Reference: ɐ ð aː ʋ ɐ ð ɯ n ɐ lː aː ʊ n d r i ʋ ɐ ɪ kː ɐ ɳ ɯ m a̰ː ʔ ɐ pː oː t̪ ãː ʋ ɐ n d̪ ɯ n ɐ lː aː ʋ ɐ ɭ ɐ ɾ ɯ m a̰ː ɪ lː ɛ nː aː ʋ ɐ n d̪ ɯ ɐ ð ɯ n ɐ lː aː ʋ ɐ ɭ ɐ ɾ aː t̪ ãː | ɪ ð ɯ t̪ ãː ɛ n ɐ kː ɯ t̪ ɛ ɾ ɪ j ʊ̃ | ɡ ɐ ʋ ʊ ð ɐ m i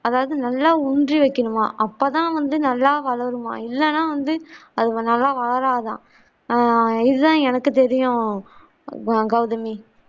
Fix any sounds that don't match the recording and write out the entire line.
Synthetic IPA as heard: ɐ ð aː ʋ ɐ ð ɯ n ɐ lː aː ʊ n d r i ʋ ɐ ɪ kː ɐ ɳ ɯ m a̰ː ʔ ɐ pː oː t̪ ãː ʋ ɐ n d̪ ɯ n ɐ lː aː ʋ ɐ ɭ ɐ ɾ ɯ m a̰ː ɪ lː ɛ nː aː ʋ ɐ n d̪ ɯ ɐ ð ɯ n ɐ lː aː ʋ ɐ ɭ ɐ ɾ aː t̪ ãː | ɪ ð ɯ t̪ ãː ɛ n ɐ kː ɯ t̪ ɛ ɾ ɪ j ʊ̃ | ɡ ɐ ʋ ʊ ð ɐ m i

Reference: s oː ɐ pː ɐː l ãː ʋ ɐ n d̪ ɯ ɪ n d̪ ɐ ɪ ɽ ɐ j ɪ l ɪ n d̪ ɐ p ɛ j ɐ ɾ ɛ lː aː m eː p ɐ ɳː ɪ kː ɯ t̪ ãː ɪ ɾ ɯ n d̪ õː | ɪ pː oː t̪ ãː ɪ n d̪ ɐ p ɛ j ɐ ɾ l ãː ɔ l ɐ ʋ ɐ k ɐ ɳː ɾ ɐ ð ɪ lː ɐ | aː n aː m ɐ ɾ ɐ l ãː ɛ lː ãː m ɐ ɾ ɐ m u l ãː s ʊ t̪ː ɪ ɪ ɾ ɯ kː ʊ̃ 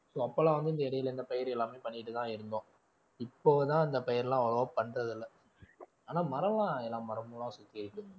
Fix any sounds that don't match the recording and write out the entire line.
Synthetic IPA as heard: s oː ɐ pː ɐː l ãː ʋ ɐ n d̪ ɯ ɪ n d̪ ɐ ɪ ɽ ɐ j ɪ l ɪ n d̪ ɐ p ɛ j ɐ ɾ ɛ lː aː m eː p ɐ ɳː ɪ ʈː ɯ t̪ ãː ɪ ɾ ɯ n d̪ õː | ɪ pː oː t̪ ãː ɪ n d̪ ɐ p ɛ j ɐ ɾ l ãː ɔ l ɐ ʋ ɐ p ɐ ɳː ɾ ɐ ð ɪ lː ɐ | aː n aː m ɐ ɾ ɐ l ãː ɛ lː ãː m ɐ ɾ ɐ m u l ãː s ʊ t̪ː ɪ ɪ ɾ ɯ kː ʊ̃

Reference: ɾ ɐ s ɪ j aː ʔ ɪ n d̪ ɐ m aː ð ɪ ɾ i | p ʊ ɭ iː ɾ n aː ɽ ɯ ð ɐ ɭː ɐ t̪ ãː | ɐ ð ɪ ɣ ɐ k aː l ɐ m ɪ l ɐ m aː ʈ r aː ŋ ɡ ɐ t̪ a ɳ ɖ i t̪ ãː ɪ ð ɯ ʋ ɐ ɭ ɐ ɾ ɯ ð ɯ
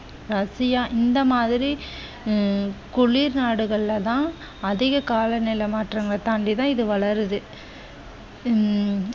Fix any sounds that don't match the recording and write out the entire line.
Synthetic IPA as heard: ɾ ɐ s ɪ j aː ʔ ɪ n d̪ ɐ m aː ð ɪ ɾ i | k ʊ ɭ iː ɾ n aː ɽ ɯ ɣ ɐ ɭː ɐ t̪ ãː | ɐ ð ɪ ɣ ɐ k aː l ɐ n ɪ l ɐ m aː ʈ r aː ŋ ɡ ɐ t̪ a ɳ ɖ i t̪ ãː ɪ ð ɯ ʋ ɐ ɭ ɐ ɾ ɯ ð ɯ

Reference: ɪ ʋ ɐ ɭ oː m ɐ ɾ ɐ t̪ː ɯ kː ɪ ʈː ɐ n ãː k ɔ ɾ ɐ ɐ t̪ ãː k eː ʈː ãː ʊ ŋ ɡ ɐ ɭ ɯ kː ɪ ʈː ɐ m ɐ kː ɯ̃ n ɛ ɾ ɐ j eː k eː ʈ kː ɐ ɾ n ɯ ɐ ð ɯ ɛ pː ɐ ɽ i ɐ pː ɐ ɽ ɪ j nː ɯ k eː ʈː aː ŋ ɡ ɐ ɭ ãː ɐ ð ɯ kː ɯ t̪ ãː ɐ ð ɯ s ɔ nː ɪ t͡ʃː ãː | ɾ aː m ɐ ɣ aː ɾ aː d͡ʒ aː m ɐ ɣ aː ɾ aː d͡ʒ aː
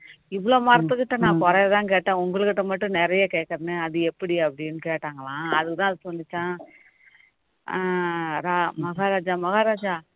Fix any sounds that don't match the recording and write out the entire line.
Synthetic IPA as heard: ɪ ʋ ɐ ɭ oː m ɐ ɾ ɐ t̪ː ɯ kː ɪ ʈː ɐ n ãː k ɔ ɾ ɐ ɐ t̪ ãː k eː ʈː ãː ʊ ŋ ɡ ɐ ɭ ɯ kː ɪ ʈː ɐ m ɐ ʈː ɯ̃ n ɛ ɾ ɐ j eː k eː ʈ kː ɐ ɾ n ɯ ɐ ð ɯ ɛ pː ɐ ɽ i ɐ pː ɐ ɽ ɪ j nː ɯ k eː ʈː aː ŋ ɡ ɐ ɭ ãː ɐ ð ɯ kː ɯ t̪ ãː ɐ ð ɯ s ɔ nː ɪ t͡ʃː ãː | ɾ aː m ɐ ɣ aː ɾ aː d͡ʒ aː m ɐ ɣ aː ɾ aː d͡ʒ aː

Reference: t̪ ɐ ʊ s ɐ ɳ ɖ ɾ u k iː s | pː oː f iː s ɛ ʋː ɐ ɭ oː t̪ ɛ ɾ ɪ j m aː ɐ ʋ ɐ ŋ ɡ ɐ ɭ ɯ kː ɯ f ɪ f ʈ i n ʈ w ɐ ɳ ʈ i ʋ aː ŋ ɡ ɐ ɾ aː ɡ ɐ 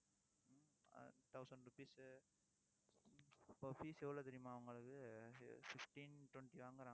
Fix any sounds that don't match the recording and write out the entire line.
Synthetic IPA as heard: t̪ ɐ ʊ s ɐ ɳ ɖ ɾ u p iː s | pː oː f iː s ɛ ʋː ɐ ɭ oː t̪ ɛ ɾ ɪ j m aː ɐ ʋ ɐ ŋ ɡ ɐ ɭ ɯ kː ɯ f ɪ f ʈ i n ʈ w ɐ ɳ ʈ i ʋ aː ŋ ɡ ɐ ɾ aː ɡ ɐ

